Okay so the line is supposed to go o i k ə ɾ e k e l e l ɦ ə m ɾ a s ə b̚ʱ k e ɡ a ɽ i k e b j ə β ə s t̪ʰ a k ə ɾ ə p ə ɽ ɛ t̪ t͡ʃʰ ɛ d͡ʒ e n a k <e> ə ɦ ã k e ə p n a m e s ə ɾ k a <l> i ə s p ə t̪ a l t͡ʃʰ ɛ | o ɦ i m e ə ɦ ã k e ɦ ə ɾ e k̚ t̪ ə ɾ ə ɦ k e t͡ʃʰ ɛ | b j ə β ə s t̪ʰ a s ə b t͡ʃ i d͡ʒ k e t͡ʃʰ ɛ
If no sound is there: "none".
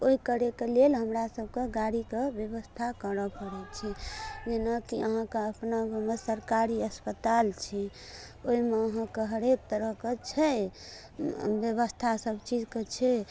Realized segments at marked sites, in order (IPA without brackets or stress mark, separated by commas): i, ɾ